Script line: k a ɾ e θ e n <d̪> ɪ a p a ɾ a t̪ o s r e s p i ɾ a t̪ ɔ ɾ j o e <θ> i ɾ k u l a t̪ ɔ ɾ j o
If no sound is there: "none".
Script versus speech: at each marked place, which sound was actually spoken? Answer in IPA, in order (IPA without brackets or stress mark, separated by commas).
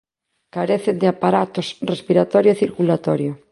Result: d̪, θ